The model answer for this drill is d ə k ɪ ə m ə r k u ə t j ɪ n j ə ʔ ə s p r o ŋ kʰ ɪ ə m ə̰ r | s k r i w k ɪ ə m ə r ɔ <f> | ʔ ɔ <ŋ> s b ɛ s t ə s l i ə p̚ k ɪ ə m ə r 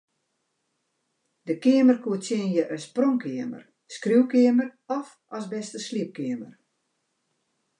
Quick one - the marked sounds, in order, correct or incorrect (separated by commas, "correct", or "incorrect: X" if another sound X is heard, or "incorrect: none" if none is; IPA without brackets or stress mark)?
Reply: correct, incorrect: none